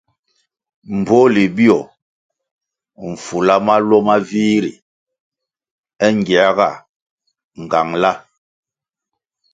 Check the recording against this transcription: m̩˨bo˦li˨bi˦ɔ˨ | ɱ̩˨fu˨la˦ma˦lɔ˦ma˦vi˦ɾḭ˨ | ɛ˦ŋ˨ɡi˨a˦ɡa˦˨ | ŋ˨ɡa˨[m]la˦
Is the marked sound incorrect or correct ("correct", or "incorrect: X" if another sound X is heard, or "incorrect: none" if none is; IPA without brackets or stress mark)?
incorrect: ŋ